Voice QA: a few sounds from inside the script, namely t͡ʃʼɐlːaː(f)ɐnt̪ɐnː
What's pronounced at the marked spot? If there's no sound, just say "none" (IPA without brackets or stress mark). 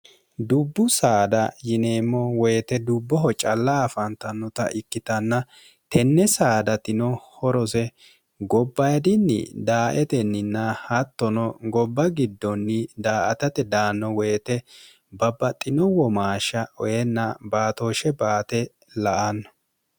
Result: f